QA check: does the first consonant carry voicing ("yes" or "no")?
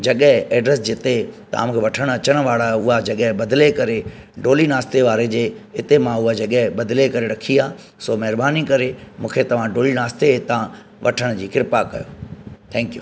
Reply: yes